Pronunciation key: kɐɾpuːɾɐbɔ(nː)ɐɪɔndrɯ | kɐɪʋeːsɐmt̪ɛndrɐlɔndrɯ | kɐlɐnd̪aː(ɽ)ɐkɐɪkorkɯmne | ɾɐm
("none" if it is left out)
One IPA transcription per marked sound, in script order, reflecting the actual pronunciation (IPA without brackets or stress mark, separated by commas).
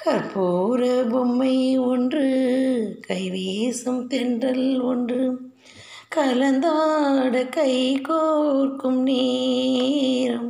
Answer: mː, ɽ